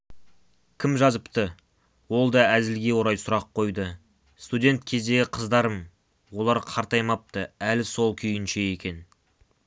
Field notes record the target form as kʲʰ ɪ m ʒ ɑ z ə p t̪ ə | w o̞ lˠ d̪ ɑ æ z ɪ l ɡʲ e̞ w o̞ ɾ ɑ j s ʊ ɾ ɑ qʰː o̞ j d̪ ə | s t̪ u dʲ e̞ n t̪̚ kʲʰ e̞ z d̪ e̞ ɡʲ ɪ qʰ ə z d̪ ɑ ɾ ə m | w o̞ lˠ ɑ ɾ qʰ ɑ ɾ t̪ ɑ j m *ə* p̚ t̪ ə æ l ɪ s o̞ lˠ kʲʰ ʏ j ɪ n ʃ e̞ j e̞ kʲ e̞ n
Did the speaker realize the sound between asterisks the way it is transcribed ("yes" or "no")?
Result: no